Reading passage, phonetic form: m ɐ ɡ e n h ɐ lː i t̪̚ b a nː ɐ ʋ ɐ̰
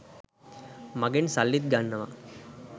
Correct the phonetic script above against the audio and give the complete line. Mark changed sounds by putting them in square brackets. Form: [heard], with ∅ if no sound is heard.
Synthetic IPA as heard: m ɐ ɡ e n [s] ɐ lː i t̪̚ [ɡ] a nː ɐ ʋ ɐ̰